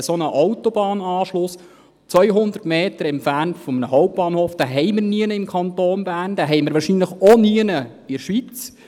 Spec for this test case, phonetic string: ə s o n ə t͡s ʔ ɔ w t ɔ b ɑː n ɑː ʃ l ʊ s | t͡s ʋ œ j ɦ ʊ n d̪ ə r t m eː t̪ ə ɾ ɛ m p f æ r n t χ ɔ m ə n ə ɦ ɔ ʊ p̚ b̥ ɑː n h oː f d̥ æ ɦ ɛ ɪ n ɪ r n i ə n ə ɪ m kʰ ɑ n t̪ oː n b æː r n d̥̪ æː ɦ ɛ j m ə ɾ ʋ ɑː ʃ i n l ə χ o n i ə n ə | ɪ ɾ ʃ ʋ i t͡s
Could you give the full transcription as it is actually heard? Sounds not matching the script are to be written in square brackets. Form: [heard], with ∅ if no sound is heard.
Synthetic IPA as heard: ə s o n ə [∅] ʔ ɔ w t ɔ b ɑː n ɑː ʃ l ʊ s | t͡s ʋ œ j ɦ ʊ n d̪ ə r t m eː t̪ ə ɾ ɛ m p f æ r n t [f] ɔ m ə n ə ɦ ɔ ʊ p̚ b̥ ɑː n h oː f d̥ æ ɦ ɛ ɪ [m] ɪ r n i ə n ə ɪ m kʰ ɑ n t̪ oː n b æː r n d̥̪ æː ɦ ɛ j m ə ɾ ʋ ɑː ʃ i n l ə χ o n i ə n ə | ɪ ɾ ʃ ʋ i t͡s